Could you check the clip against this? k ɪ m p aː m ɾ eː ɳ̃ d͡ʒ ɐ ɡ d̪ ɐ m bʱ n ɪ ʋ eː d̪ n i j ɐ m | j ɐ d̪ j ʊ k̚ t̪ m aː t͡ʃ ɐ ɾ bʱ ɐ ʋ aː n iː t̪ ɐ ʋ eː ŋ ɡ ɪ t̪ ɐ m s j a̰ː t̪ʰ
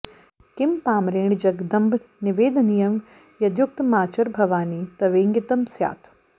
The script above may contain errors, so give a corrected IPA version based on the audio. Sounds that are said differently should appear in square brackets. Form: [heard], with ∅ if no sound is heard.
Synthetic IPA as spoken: k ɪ m p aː m ɾ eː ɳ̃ d͡ʒ ɐ ɡ d̪ ɐ m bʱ n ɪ ʋ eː d̪ n i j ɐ m | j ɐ d̪ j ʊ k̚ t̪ m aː t͡ʃ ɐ ɾ bʱ ɐ ʋ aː n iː t̪ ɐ ʋ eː ŋ ɡ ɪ t̪ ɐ m s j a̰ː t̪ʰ